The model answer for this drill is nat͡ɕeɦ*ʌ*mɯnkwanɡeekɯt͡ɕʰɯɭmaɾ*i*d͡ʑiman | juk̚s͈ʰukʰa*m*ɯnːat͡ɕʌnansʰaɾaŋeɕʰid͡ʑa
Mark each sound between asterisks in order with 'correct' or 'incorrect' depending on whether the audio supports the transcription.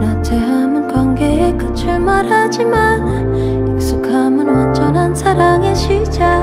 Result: incorrect: a, incorrect: a, correct

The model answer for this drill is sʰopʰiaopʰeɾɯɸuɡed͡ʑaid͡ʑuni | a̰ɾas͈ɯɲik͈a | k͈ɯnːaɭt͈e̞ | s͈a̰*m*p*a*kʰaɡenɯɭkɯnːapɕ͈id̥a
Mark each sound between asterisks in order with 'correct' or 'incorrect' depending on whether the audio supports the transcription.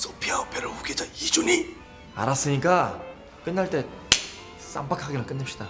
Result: correct, correct

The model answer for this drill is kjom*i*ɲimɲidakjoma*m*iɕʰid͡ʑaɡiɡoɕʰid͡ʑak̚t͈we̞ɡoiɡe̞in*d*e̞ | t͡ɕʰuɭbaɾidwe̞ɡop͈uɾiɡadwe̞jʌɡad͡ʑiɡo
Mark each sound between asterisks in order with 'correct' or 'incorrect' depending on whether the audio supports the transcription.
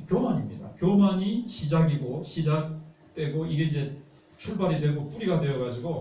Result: incorrect: a, incorrect: ɲ, incorrect: d͡ʑ

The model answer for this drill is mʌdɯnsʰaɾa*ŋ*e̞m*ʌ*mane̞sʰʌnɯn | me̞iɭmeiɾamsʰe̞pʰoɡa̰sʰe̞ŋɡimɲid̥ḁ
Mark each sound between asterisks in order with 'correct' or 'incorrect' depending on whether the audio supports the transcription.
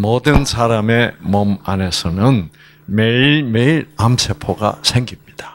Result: incorrect: m, correct

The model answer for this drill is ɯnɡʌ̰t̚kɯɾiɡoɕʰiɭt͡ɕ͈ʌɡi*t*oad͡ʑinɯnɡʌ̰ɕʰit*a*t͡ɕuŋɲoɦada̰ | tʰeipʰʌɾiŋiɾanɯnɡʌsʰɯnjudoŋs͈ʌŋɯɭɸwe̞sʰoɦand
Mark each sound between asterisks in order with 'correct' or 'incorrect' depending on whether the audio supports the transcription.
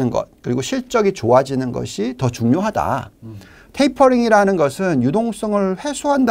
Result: incorrect: t͡ɕ, incorrect: ʌ

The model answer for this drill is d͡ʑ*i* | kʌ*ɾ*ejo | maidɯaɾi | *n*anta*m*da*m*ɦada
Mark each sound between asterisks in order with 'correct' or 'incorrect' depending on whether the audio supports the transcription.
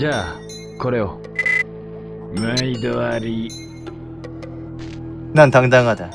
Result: incorrect: a, correct, correct, incorrect: ŋ, incorrect: ŋ

